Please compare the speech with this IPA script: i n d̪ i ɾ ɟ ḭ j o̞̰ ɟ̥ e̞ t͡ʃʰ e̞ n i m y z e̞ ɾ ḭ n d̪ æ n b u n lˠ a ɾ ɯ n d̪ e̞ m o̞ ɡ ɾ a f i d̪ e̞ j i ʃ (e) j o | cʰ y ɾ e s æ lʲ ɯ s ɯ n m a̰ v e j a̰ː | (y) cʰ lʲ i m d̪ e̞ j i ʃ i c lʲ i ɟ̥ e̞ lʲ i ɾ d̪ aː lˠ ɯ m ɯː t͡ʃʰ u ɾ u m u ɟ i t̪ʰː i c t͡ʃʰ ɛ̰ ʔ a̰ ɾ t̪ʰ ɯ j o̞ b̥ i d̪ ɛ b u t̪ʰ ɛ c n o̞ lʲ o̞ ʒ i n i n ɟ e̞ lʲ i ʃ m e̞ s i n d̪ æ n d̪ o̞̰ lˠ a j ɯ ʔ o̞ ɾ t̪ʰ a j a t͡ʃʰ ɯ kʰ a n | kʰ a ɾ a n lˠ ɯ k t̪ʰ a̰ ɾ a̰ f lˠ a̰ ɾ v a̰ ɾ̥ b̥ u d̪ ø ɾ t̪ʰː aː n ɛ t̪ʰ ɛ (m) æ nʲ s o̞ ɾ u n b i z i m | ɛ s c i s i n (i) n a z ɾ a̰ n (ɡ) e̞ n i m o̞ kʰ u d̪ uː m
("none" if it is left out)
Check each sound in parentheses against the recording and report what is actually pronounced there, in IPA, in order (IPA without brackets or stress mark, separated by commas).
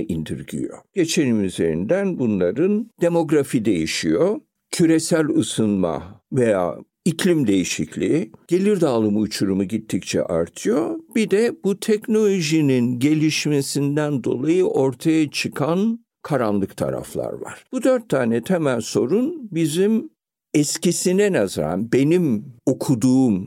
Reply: i, i, m, ɛ, b